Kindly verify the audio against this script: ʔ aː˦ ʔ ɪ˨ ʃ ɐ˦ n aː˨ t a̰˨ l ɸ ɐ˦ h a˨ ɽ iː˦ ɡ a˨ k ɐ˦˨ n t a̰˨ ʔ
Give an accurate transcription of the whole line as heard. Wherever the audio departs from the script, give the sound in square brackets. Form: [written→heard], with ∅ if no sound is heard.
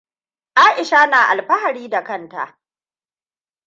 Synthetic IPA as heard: ʔ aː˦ ʔ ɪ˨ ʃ [ɐ˦→a˦] n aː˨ [t→ʔ] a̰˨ l ɸ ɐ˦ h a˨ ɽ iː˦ [ɡ→d] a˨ k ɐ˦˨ n t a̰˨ ʔ